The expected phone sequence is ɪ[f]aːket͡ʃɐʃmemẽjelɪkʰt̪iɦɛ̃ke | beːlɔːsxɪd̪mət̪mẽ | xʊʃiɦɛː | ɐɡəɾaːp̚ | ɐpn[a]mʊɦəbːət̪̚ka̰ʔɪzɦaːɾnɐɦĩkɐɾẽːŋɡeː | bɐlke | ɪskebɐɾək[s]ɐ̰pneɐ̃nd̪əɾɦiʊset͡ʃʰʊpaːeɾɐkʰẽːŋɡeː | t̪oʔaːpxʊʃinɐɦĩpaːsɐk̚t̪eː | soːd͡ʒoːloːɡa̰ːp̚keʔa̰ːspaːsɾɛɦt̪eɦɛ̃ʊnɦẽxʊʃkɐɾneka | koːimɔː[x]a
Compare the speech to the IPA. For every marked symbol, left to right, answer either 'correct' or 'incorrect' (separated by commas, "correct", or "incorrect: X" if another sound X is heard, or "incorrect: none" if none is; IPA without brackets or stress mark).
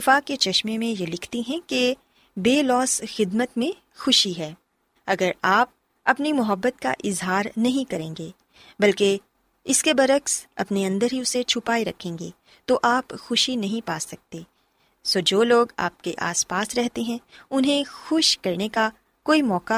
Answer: correct, incorrect: i, correct, incorrect: k